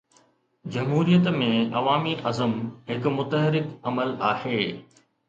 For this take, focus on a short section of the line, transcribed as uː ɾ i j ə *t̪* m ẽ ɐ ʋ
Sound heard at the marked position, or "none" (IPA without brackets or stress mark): t̪